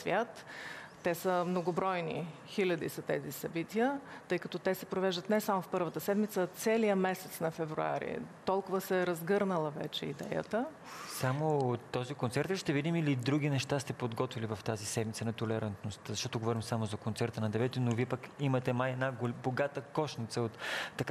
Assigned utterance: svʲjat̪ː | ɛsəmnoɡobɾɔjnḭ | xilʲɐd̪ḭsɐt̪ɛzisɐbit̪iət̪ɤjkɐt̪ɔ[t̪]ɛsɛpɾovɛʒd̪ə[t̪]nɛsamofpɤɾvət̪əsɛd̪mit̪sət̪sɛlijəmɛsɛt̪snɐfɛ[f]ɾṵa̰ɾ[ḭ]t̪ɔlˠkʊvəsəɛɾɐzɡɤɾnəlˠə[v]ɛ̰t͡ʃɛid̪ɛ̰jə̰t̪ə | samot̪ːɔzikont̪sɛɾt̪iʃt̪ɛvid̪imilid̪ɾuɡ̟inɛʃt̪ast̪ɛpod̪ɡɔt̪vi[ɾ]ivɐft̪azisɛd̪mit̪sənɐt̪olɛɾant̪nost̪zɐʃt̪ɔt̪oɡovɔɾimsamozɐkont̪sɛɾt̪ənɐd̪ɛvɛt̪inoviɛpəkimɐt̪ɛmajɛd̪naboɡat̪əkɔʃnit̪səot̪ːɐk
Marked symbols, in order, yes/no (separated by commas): yes, yes, no, yes, yes, no